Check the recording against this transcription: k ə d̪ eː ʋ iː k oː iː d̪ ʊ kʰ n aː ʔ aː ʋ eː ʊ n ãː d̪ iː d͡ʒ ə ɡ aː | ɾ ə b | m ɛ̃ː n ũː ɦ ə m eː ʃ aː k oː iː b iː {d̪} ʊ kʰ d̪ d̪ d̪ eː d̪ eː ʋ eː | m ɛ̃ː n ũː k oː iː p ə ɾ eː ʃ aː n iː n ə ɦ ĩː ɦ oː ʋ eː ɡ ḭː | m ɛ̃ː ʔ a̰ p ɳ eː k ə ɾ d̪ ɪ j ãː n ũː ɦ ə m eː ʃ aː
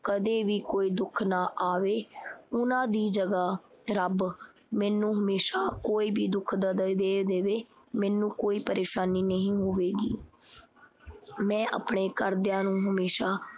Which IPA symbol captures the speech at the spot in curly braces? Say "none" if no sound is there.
d̪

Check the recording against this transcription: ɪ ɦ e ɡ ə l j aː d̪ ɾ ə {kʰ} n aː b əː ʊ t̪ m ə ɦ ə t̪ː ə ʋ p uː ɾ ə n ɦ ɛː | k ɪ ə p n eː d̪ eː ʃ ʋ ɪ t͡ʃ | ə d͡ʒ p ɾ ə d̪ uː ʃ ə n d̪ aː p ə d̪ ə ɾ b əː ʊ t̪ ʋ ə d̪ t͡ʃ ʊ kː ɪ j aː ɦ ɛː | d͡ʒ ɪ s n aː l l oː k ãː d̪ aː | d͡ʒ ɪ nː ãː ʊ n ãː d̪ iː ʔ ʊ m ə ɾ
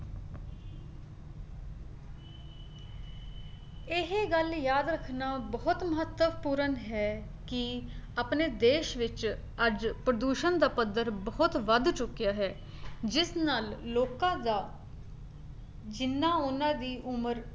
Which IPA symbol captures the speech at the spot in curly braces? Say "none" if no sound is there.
kʰ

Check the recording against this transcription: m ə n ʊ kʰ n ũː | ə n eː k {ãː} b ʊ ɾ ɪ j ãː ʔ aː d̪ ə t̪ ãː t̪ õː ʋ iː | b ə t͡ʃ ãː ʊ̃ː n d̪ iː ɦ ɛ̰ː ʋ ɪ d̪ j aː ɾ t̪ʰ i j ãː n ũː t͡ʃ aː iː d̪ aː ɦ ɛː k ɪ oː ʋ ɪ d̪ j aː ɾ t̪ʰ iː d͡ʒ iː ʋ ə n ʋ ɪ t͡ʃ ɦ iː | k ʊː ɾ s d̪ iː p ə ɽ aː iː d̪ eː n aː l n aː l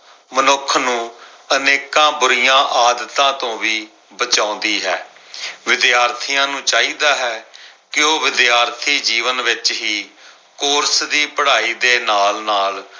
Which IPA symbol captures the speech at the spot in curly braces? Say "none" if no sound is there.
ãː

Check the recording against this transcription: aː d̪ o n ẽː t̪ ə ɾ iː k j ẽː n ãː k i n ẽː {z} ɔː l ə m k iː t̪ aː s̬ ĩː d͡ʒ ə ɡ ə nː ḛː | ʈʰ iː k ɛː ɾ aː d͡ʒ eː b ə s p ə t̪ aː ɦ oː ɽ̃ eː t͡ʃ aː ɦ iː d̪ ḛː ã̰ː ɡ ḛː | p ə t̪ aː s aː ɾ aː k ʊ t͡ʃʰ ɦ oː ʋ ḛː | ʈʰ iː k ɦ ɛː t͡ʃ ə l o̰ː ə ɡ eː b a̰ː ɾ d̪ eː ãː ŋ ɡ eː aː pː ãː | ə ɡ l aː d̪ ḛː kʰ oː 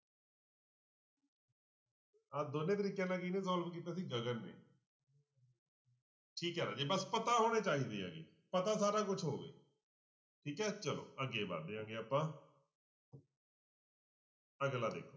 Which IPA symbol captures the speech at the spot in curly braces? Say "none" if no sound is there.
z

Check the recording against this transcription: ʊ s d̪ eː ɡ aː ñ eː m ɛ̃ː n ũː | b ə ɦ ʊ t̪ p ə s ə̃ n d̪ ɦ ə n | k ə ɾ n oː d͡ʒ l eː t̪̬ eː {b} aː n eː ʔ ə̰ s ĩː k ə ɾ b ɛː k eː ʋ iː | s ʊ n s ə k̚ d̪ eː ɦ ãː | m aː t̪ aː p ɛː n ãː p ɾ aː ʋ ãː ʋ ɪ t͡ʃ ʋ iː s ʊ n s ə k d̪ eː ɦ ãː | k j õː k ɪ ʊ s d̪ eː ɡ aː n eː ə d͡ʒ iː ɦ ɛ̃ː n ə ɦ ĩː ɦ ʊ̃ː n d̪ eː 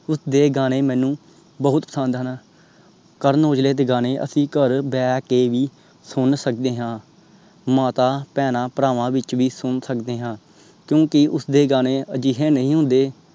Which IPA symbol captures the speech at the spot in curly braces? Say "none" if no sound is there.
ɡ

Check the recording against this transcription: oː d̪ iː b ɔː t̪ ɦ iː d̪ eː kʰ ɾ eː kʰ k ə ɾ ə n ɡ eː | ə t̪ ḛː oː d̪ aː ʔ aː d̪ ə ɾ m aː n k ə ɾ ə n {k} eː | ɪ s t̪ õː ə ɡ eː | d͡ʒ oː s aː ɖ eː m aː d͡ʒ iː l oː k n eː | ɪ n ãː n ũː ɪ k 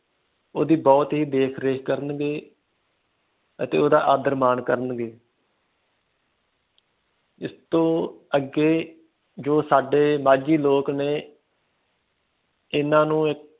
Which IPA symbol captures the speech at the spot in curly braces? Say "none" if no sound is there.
ɡ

